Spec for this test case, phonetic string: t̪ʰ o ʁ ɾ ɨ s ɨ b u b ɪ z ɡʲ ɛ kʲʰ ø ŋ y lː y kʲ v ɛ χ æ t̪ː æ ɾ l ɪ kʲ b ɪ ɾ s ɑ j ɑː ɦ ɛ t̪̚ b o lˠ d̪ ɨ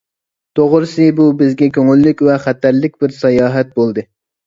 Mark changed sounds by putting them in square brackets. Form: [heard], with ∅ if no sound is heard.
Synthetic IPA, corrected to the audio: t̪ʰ o ʁ ɾ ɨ s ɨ b u b ɪ z ɡʲ ɛ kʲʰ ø ŋ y lː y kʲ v ɛ χ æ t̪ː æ ɾ l ɪ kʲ b ɪ ɾ s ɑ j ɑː ɦ ɛ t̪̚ b o lˠ d̪ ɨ